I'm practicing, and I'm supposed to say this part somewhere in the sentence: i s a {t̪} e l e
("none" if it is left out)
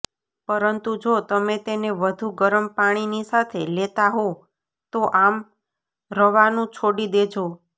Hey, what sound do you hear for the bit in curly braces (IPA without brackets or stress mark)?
t̪ʰ